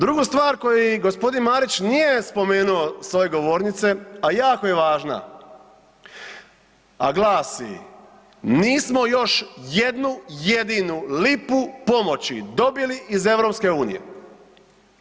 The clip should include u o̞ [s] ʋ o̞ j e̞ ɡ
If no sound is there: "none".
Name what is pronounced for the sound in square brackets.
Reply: s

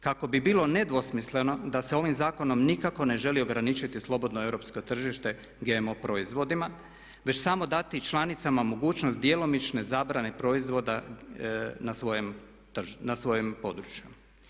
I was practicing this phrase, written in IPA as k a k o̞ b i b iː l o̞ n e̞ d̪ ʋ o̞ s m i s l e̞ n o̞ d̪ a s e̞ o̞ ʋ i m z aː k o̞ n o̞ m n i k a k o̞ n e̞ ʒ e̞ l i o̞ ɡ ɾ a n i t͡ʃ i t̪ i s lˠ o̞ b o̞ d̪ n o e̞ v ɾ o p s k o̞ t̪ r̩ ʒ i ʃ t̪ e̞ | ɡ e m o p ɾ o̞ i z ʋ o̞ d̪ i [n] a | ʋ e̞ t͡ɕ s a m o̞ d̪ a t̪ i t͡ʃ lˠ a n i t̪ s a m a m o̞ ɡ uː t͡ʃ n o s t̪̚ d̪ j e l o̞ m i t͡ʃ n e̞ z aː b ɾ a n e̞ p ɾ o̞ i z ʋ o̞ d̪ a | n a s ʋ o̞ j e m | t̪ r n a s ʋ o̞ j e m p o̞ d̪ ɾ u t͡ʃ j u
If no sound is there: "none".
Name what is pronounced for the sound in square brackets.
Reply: m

